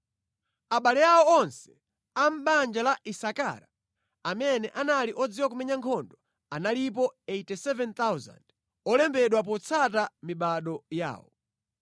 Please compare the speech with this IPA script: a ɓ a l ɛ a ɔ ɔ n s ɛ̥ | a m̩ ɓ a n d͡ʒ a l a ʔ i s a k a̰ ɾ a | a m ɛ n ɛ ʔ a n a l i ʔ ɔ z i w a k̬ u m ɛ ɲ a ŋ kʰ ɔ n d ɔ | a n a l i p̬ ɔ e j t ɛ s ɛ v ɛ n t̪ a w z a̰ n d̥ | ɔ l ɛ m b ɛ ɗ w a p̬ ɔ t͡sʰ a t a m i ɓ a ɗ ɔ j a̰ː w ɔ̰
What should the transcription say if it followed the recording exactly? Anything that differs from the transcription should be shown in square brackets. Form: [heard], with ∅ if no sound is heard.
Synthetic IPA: a ɓ a l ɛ a ɔ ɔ n s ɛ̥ | a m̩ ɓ a n d͡ʒ a l a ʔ i s a k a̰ ɾ a | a m ɛ n ɛ ʔ a n a l i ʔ ɔ [d͡z] i w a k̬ u m ɛ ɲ a ŋ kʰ ɔ n d ɔ | a n a l i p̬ ɔ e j t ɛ s ɛ v ɛ n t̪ a w z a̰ n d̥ | ɔ l ɛ m b ɛ ɗ w a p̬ ɔ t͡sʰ a t a m i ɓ a ɗ ɔ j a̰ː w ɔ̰